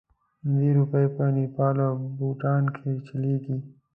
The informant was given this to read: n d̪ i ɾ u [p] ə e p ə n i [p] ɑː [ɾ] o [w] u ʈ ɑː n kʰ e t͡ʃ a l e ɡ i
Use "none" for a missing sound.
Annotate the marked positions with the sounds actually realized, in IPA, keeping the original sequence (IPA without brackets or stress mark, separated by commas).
p, p, l, b